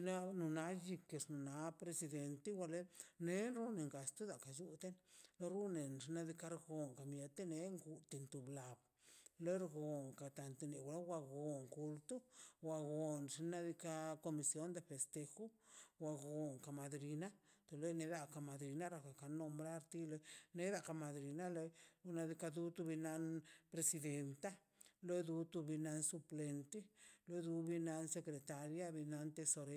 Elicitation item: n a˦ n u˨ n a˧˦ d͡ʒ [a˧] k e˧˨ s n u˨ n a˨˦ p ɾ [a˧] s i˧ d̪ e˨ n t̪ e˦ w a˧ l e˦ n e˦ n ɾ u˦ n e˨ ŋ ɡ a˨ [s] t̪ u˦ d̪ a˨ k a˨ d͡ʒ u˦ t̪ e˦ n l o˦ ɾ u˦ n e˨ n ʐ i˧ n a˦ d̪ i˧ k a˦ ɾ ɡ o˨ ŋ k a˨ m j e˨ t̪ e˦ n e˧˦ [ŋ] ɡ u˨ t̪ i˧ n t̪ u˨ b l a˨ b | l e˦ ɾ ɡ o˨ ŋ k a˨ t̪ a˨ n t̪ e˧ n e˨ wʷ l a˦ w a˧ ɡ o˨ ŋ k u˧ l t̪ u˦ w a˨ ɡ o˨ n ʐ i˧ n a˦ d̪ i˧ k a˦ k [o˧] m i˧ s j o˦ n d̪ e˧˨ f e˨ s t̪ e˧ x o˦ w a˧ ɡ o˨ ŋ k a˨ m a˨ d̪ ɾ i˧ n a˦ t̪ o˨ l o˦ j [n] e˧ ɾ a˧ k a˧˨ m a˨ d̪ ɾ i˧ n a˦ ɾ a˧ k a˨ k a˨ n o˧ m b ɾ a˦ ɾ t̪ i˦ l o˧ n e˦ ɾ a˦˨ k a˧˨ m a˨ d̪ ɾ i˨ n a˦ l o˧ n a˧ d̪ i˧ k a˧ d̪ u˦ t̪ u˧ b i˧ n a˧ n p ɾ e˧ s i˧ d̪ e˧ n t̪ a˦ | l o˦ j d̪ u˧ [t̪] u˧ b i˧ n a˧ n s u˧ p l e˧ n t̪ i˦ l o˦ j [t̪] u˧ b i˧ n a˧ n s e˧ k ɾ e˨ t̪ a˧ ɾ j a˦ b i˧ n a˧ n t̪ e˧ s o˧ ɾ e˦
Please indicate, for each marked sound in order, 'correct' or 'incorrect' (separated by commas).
incorrect, incorrect, correct, correct, correct, correct, correct, incorrect